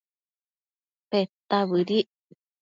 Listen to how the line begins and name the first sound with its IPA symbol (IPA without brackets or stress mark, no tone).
p